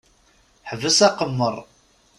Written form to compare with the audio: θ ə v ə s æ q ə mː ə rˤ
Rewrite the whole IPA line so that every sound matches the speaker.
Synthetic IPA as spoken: ħ ə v ə s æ q ə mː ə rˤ